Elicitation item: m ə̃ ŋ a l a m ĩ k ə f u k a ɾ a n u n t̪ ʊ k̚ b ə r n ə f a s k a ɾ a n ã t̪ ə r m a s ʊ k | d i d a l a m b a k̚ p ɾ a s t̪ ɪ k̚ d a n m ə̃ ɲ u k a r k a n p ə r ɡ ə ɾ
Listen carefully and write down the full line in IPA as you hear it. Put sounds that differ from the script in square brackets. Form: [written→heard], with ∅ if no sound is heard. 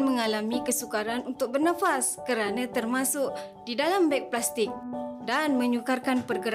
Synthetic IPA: m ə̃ ŋ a l a m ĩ k ə [f→s] u k a ɾ a n u n t̪ ʊ k̚ b ə r n [ə→a] f a s k [a→ə] ɾ a n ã t̪ ə r m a s ʊ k | d i d a l a m b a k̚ p [ɾ→l] a s t̪ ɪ k̚ d a n m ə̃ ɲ u k a r k a n p ə r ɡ ə ɾ